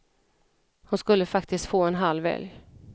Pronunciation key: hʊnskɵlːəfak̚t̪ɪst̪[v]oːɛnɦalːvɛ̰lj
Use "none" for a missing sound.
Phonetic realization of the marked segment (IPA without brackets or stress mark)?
f